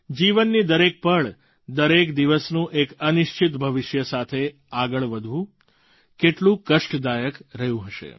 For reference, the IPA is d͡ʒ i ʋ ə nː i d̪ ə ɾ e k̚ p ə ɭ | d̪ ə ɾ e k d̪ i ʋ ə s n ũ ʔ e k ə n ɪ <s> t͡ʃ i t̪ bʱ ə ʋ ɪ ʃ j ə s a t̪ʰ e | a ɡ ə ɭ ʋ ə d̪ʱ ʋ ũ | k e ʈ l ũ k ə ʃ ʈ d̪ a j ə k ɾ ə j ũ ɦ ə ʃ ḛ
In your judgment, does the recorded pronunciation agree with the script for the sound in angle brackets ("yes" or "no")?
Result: no